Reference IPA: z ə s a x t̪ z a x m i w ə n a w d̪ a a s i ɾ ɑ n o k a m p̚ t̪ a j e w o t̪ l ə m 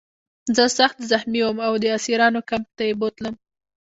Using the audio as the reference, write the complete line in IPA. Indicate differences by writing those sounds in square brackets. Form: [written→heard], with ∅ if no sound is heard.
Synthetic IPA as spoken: z ə s a x t̪ z a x m i w ə [n→m] a w d̪ [a→ə] a s i ɾ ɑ n o k a m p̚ t̪ a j e [w→b] o t̪ l ə m